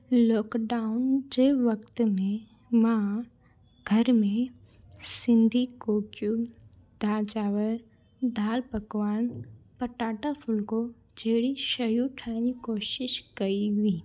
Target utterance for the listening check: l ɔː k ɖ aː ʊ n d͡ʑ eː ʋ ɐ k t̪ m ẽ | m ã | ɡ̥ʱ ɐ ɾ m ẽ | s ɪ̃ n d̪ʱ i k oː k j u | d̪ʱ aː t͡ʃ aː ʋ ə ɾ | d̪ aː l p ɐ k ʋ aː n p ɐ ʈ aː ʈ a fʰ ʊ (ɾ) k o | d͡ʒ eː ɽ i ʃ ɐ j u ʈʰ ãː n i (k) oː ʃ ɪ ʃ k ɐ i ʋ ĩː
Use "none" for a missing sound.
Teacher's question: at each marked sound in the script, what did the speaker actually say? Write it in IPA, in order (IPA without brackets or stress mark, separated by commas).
l, k